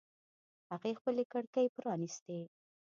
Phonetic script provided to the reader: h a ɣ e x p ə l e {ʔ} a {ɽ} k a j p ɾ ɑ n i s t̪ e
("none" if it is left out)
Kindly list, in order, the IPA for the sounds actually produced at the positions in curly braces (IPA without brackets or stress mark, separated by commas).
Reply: k, ɽ